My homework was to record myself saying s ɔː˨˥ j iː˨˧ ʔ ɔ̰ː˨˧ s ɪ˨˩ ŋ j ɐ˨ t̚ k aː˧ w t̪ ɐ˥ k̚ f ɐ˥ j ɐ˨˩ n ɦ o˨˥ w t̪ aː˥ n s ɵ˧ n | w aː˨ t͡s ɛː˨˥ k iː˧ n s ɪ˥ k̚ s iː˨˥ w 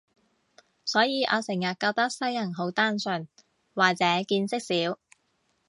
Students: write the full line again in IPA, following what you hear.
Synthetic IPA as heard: s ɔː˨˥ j iː˨˧ ʔ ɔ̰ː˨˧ s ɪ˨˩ ŋ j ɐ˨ t̚ k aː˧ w t̪ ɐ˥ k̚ s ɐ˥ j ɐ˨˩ n ɦ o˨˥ w t̪ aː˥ n s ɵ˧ n | w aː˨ t͡s ɛː˨˥ k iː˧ n s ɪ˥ k̚ s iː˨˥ w